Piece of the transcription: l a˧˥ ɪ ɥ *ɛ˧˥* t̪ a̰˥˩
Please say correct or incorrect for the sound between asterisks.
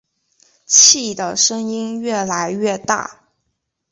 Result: incorrect